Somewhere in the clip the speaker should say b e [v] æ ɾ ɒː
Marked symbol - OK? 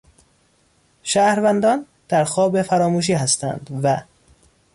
no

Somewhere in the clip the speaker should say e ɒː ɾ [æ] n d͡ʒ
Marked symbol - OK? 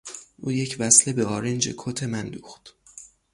no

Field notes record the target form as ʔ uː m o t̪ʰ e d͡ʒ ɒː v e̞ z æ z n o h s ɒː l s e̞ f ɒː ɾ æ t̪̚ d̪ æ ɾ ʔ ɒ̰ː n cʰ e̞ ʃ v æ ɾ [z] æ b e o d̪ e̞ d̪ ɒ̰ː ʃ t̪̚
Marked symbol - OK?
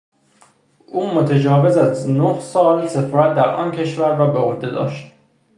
no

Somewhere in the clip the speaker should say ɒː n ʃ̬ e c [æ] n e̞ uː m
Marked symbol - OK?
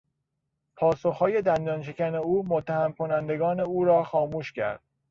yes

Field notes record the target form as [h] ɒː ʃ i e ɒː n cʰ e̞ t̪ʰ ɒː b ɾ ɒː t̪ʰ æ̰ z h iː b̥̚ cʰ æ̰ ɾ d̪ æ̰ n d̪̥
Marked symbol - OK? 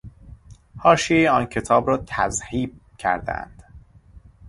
yes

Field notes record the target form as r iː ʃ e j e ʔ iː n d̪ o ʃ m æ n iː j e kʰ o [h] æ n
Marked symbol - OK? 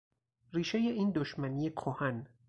yes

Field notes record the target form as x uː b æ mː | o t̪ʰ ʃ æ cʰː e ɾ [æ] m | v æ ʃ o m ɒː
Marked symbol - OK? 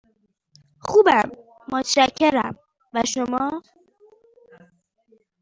yes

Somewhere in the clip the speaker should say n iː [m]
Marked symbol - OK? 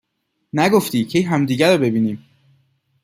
yes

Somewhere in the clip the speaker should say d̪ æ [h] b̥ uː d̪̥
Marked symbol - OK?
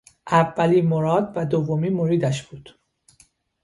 no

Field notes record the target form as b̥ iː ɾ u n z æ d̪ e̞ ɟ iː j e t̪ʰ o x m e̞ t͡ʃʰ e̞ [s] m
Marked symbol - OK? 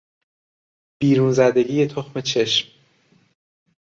no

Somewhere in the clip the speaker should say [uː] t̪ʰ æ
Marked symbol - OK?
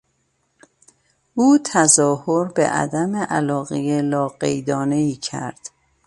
yes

